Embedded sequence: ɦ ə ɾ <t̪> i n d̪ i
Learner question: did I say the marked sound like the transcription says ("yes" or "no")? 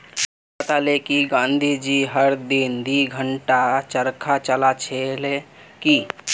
no